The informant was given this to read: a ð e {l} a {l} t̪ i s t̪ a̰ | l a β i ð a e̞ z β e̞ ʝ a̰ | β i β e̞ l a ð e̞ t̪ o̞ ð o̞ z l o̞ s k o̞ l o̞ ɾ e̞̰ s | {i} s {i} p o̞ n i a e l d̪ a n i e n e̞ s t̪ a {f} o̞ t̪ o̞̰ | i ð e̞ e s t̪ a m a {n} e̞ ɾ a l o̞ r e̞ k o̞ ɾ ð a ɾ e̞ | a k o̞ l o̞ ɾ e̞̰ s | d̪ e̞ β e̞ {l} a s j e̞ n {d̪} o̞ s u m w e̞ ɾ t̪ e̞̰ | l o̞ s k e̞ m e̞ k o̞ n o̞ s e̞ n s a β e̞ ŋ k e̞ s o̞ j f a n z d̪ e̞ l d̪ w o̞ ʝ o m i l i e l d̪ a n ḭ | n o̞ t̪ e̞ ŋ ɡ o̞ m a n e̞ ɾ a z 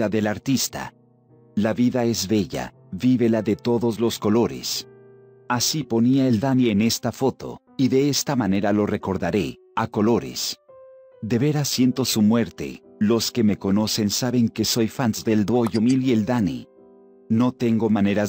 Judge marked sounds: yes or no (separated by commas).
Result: yes, no, no, yes, yes, yes, no, no